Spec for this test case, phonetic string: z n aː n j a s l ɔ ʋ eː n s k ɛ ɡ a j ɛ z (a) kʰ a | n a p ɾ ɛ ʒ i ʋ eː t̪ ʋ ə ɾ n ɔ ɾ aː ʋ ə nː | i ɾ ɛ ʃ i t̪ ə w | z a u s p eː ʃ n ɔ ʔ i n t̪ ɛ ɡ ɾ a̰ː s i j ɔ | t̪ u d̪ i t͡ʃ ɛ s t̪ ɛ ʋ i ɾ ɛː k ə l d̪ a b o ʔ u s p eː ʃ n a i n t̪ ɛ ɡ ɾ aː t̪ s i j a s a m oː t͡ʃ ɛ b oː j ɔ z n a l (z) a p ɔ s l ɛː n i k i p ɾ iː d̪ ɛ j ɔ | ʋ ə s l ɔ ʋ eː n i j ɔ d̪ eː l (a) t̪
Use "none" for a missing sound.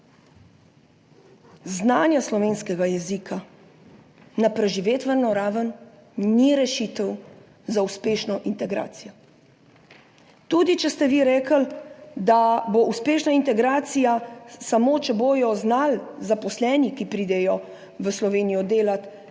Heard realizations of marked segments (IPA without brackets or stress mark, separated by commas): i, z, a